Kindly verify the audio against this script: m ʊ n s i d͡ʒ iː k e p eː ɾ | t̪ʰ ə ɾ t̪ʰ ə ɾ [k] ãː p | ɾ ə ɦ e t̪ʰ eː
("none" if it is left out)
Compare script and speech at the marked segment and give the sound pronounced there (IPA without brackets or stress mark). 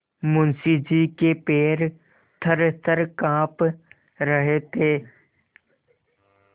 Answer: k